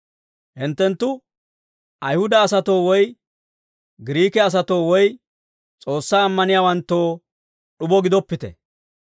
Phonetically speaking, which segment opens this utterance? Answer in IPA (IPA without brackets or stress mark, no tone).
h